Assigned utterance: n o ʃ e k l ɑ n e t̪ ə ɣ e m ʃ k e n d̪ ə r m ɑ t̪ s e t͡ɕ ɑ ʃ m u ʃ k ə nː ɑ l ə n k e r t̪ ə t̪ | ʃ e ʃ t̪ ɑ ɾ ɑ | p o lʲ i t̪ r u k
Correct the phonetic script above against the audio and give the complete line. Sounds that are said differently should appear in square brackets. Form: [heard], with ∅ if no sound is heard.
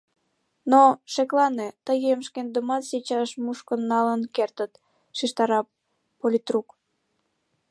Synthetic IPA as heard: n o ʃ e k l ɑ n e t̪ ə ɣ e m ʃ k e n d̪ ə [∅] m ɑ t̪ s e t͡ɕ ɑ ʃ m u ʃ k ə nː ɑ l ə n k e r t̪ ə t̪ | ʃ [i] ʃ t̪ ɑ ɾ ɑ | p o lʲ i t̪ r u k

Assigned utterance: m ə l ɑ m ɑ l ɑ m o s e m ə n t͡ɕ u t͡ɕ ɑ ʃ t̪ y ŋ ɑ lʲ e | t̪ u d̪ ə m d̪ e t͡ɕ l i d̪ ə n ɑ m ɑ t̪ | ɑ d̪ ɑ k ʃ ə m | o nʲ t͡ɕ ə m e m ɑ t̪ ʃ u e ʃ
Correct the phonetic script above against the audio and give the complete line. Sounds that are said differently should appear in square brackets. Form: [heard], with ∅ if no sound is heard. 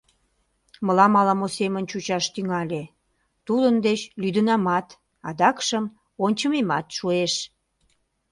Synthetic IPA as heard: m ə l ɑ m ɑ l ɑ m o s e m ə n t͡ɕ u t͡ɕ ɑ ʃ t̪ y ŋ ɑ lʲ e | t̪ u d̪ ə [n] d̪ e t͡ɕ l [y] d̪ ə n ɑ m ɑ t̪ | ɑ d̪ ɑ k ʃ ə m | o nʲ t͡ɕ ə m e m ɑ t̪ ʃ u e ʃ

